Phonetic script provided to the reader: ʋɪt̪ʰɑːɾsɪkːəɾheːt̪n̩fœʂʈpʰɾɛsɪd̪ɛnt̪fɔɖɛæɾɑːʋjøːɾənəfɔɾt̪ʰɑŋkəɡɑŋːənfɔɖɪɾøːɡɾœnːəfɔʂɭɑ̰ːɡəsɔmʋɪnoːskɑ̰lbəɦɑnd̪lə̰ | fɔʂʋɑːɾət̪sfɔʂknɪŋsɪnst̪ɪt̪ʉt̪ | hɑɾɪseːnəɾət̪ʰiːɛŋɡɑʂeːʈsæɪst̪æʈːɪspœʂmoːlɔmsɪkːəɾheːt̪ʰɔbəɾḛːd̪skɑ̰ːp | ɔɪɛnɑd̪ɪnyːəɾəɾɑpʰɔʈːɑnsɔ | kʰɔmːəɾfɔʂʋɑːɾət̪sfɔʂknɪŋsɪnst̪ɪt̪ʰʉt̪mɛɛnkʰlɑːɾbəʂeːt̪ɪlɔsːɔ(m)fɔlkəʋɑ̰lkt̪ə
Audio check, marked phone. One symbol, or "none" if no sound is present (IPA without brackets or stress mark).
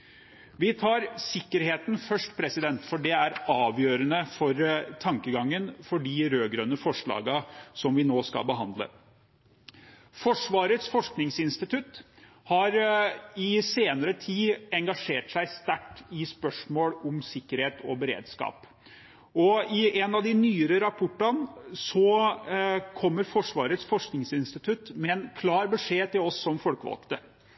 m